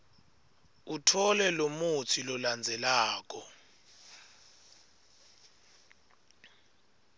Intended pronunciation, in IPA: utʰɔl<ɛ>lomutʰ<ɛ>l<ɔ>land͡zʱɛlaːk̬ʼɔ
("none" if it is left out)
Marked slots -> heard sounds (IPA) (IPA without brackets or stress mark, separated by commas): ɛ, i, ɔ